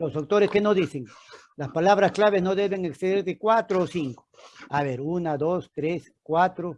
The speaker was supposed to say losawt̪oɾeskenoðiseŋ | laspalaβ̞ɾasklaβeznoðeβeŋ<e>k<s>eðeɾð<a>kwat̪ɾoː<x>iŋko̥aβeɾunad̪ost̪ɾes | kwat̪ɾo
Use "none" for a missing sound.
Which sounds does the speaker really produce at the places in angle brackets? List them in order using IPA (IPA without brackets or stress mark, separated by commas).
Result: e, s, e, s